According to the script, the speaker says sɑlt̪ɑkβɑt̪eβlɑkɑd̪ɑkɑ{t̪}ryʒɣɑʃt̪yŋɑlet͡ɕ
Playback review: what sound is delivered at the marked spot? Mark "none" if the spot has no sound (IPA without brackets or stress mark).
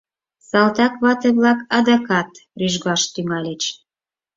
t̪